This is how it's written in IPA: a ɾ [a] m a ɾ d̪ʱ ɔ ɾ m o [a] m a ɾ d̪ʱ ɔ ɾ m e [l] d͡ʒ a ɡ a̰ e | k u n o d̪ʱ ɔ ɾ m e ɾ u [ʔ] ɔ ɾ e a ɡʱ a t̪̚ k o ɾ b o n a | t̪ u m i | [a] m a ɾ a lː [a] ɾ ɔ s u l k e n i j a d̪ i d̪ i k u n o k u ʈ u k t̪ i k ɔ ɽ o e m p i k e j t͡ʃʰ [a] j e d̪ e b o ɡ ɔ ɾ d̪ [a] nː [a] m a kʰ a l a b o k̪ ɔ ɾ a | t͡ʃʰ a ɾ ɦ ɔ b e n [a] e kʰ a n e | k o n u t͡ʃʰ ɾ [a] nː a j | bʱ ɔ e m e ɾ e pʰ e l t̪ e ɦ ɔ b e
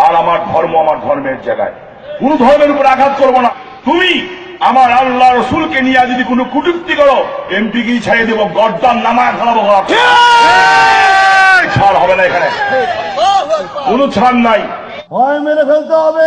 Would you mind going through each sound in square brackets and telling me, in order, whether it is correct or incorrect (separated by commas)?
correct, correct, incorrect, incorrect, correct, correct, correct, correct, correct, correct, correct